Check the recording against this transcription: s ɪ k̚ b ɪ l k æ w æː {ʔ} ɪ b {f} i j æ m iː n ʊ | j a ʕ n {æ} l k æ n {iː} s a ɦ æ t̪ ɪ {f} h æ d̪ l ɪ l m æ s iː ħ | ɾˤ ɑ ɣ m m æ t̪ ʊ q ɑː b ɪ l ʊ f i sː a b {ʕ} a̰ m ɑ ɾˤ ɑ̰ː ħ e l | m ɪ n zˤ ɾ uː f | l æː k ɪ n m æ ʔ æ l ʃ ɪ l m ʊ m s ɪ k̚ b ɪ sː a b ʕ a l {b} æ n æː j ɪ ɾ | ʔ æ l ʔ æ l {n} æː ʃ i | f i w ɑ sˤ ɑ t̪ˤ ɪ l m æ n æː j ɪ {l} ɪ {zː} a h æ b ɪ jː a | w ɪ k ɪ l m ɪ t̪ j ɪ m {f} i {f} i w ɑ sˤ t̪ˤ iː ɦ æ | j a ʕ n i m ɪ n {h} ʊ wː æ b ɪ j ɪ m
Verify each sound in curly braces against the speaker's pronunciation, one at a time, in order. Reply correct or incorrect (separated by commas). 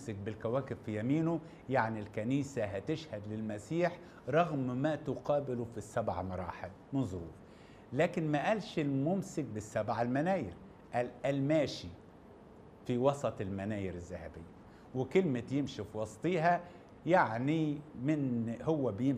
incorrect, correct, incorrect, correct, incorrect, correct, incorrect, incorrect, incorrect, correct, incorrect, correct, correct